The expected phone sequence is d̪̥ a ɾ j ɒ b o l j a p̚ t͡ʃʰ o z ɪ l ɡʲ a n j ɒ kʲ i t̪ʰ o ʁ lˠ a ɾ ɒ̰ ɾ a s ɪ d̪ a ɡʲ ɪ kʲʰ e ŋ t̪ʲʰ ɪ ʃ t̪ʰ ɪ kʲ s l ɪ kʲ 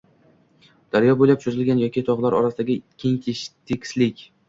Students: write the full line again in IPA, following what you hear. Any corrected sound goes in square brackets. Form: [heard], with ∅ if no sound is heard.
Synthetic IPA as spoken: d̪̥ a ɾ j ɒ b o l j a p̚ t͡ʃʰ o z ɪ l ɡʲ a n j ɒ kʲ i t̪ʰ [ɒ] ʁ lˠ a ɾ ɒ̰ ɾ a s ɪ d̪ a ɡʲ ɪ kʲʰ e ŋ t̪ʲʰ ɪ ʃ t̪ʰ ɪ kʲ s l ɪ kʲ